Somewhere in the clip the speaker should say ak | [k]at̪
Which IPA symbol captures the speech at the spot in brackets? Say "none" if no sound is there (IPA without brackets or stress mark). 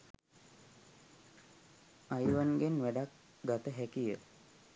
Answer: ɡ